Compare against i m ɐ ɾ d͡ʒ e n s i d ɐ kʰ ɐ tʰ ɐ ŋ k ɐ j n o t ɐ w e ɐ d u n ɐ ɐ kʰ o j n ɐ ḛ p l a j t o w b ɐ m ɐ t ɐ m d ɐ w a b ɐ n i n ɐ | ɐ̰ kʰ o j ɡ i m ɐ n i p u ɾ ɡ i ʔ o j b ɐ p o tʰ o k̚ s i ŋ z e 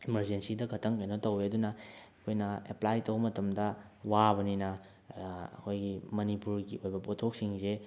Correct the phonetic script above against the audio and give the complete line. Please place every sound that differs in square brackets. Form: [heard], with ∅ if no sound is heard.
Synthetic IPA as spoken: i m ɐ ɾ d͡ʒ e n s i d ɐ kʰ ɐ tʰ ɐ ŋ k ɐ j n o t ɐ w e ɐ d u n ɐ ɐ kʰ o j n ɐ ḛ p l a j t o w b ɐ m ɐ t ɐ m d ɐ w a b ɐ n i n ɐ | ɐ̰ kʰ o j ɡ i m ɐ n i p u ɾ ɡ i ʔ o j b ɐ p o tʰ o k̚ s i ŋ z e